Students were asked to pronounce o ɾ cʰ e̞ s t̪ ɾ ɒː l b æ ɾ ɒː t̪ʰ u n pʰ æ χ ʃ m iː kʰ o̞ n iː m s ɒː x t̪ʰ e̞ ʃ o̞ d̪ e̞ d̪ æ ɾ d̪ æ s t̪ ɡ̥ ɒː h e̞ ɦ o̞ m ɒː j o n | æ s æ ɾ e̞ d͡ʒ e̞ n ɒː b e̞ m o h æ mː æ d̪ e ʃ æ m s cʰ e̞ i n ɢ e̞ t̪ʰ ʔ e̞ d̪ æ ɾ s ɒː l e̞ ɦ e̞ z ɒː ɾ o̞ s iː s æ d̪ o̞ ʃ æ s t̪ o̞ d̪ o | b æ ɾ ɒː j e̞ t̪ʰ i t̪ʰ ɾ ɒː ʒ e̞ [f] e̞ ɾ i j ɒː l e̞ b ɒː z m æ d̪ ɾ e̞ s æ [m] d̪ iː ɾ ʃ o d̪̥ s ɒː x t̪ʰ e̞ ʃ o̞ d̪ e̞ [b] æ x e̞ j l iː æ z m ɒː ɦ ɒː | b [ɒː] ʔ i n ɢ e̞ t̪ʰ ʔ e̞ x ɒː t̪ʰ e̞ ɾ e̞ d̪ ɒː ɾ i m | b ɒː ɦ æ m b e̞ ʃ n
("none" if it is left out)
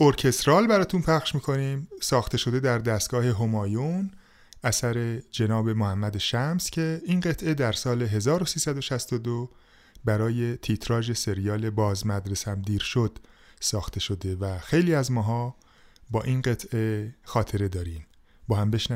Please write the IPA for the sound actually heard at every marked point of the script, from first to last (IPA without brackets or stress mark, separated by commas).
s, m, v, ɒː